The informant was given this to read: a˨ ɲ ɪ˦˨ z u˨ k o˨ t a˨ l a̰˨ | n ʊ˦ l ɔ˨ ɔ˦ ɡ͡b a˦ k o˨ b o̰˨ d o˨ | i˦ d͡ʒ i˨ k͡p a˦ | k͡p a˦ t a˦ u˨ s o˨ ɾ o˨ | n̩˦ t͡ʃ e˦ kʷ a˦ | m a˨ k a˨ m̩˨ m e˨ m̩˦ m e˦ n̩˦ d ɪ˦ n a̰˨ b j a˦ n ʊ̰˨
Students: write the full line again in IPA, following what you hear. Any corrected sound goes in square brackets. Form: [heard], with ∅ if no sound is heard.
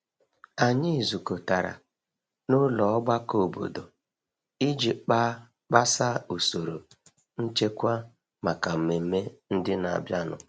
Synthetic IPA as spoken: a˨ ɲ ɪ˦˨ z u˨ k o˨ t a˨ [ɾ] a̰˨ | n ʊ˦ l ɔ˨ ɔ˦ ɡ͡b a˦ k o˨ b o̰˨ d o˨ | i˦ d͡ʒ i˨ k͡p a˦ | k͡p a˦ [s] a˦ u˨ s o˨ ɾ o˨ | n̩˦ t͡ʃ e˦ kʷ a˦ | m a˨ k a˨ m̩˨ m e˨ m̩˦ m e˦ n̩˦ d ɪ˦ n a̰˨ b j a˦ n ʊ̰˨